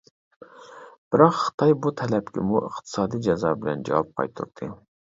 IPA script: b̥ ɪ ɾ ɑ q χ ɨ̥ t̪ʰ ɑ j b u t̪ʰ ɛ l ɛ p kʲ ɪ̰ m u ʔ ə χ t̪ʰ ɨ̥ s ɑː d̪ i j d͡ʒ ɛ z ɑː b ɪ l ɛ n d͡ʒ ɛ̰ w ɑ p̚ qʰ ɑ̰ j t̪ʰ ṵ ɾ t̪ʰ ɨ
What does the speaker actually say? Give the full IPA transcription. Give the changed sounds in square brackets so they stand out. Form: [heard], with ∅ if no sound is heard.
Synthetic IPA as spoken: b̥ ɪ ɾ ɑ q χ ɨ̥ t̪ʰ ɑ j b u t̪ʰ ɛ l ɛ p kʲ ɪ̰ m u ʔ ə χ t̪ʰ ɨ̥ s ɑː d̪ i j d͡ʒ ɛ z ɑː b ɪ l ɛ n d͡ʒ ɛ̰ w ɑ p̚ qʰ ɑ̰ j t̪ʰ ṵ ɾ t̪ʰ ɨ